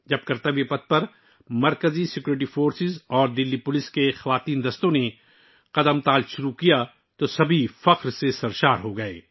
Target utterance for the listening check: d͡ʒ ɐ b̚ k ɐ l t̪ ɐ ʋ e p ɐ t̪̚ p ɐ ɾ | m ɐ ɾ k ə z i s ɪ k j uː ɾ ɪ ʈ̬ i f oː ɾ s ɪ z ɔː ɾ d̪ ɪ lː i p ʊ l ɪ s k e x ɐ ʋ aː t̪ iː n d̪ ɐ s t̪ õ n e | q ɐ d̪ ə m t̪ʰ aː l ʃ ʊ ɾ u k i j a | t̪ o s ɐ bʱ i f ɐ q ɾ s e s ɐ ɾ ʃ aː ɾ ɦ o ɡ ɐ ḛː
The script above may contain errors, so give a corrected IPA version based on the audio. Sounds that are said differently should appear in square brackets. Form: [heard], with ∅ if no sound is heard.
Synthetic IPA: d͡ʒ ɐ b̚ k ɐ [ɾ] t̪ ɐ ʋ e p ɐ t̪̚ p ɐ ɾ | m ɐ ɾ k ə z i s ɪ k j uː ɾ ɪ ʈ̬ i f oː ɾ s ɪ z ɔː ɾ d̪ ɪ lː i p ʊ l ɪ s k e x ɐ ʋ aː t̪ iː n d̪ ɐ s t̪ õ n e | q ɐ d̪ ə m [t̪] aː l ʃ ʊ ɾ u k i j a | t̪ o s ɐ bʱ i f ɐ q ɾ s e s ɐ ɾ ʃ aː ɾ ɦ o ɡ ɐ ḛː